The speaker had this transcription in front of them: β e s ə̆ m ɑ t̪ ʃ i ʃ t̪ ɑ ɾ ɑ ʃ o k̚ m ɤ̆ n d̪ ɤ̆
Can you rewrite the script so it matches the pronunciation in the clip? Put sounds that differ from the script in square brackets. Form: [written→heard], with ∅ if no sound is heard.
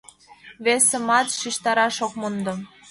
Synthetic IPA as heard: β e s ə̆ m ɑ t̪ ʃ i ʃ t̪ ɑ ɾ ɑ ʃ o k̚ m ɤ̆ n d̪ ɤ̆